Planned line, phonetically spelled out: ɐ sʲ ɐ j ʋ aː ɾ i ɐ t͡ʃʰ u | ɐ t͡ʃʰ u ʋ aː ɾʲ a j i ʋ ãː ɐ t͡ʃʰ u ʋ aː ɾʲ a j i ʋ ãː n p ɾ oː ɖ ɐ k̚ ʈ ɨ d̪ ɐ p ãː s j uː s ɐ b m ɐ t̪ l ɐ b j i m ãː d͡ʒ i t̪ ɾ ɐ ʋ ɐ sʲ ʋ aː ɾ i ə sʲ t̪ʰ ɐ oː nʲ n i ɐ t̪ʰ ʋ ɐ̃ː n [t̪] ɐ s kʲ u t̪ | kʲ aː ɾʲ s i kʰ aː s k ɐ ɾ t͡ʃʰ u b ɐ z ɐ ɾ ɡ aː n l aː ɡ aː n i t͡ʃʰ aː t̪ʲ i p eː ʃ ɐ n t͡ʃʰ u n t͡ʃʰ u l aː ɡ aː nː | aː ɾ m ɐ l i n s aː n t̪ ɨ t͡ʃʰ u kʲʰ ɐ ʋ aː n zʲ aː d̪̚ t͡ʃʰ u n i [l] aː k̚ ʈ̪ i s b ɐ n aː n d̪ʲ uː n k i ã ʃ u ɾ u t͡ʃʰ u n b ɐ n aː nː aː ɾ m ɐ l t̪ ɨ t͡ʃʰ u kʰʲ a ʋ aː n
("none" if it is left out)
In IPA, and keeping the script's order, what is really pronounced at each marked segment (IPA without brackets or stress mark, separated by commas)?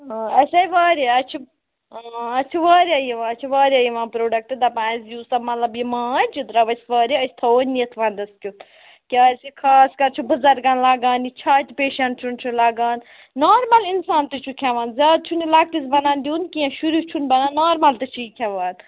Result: d̪, l